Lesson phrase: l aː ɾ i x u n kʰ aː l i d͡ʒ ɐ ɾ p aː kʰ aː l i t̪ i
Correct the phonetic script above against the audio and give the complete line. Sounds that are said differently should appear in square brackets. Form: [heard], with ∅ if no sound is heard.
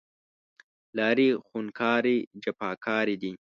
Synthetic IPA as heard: l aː ɾ i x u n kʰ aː [ɾ] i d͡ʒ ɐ [∅] p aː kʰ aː [ɾ] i [d̪] i